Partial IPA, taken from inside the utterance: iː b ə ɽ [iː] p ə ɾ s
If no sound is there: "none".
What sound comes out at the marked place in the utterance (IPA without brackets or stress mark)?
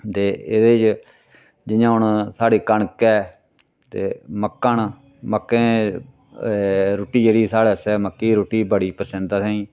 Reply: iː